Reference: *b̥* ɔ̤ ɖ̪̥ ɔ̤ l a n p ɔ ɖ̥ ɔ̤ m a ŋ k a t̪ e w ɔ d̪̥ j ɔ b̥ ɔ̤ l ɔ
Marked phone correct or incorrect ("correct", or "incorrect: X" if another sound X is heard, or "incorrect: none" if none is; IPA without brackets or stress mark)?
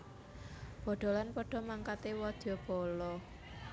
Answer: correct